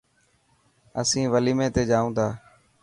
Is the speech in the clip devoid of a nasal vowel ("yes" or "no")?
no